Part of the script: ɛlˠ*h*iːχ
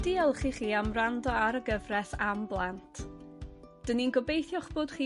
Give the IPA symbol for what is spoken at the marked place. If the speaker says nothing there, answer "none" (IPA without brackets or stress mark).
χ